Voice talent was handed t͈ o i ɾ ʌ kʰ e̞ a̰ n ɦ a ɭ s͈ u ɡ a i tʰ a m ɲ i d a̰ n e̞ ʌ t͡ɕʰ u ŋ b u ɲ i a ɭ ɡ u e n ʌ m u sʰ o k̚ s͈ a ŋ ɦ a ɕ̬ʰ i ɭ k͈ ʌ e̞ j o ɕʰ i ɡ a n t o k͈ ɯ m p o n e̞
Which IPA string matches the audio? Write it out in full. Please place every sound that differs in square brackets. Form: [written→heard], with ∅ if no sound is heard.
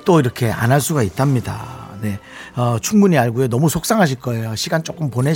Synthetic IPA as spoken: t͈ o i ɾ ʌ kʰ e̞ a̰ n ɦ a ɭ s͈ u ɡ a i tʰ a m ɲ i d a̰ n e̞ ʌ t͡ɕʰ u ŋ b u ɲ i a ɭ ɡ u e n ʌ m u sʰ o k̚ s͈ a ŋ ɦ a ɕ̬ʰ i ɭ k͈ ʌ e̞ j o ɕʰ i ɡ a n [t→t͡ɕ͈] o k͈ ɯ m p o n e̞